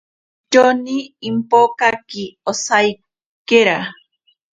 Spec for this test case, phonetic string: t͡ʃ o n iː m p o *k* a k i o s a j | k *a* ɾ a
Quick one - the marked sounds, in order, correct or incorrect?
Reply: correct, incorrect

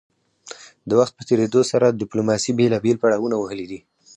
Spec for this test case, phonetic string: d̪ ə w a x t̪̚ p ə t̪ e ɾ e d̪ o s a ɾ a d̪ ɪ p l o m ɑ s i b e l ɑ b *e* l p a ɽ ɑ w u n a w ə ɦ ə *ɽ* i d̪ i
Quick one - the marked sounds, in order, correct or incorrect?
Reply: correct, incorrect

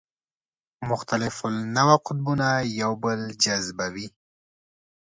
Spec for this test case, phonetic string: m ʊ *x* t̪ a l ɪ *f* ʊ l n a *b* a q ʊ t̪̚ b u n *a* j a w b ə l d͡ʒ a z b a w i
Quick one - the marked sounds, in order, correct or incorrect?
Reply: correct, correct, incorrect, correct

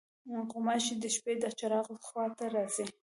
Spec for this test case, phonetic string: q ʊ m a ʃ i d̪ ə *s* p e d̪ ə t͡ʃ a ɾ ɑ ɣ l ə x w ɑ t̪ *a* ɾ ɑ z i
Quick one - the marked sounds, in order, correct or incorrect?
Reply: incorrect, correct

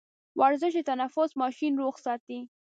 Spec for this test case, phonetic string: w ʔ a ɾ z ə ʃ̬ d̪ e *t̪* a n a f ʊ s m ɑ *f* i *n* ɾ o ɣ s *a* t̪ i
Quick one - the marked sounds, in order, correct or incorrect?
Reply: correct, incorrect, correct, incorrect

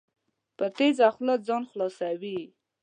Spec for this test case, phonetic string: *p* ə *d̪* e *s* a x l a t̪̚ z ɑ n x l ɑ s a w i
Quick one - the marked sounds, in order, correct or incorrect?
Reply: correct, incorrect, incorrect

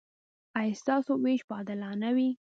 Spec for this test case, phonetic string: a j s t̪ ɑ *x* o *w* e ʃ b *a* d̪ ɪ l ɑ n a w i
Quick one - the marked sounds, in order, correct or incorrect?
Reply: incorrect, correct, incorrect

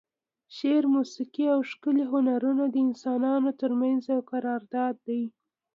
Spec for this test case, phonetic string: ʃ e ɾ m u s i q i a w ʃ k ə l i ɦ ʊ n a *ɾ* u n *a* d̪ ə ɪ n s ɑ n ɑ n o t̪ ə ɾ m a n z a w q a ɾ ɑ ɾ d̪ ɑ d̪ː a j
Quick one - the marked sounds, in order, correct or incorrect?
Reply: correct, correct

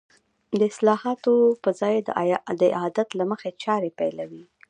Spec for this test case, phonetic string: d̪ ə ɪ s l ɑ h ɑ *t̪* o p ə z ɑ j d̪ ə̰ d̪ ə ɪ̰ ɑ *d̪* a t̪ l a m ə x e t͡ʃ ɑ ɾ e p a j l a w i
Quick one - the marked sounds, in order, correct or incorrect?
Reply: correct, correct

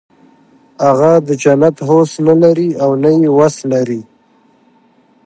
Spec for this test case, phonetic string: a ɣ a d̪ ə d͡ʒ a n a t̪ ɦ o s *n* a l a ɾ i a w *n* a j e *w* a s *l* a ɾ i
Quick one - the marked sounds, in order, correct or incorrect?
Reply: correct, correct, correct, correct

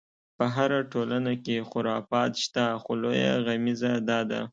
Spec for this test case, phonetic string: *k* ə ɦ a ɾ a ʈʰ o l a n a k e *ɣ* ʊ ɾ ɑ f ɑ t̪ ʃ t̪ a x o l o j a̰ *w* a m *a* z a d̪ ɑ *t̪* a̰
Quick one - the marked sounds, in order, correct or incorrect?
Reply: incorrect, incorrect, incorrect, incorrect, incorrect

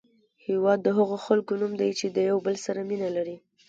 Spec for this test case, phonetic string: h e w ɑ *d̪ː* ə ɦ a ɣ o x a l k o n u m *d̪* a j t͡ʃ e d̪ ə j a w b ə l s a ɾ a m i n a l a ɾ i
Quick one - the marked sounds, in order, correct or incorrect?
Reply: correct, correct

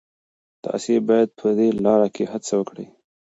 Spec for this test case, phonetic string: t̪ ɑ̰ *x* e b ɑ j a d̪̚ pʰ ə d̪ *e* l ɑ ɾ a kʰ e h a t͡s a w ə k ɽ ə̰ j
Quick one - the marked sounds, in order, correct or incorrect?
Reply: incorrect, correct

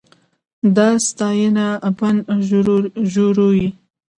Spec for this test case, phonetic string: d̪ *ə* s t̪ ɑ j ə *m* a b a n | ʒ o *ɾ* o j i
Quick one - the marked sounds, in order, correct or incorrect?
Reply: incorrect, incorrect, correct

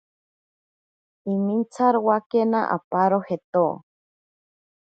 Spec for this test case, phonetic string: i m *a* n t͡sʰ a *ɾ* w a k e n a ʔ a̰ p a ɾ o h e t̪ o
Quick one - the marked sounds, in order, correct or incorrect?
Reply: incorrect, correct

